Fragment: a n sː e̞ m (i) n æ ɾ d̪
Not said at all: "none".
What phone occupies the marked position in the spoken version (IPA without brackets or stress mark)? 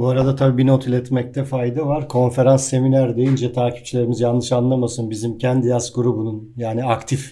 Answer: i